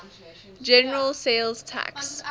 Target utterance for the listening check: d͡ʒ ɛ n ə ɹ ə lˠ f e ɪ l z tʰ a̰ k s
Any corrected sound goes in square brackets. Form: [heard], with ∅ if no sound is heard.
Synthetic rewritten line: d͡ʒ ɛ n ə ɹ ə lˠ [s] e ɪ l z tʰ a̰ k s